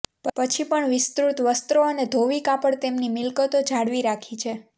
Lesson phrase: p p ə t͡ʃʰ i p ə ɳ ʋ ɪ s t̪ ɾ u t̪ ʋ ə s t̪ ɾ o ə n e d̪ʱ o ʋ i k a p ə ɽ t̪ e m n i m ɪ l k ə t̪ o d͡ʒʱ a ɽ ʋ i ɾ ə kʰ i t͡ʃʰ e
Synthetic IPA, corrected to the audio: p p ə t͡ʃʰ i p ə ɳ ʋ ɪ s t̪ ɾ u t̪ ʋ ə s t̪ ɾ o ə n e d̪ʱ o ʋ i k a p ə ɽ t̪ e m n i m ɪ l k ə t̪ o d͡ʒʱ a ɽ ʋ i ɾ a kʰ i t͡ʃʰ e